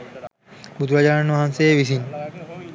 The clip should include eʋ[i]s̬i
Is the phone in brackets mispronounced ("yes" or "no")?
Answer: no